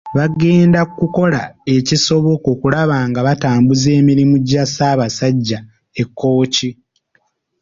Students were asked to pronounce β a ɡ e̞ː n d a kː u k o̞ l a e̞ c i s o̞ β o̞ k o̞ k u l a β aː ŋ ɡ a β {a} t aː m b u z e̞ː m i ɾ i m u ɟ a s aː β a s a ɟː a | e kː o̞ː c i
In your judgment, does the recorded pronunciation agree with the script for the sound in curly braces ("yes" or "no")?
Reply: yes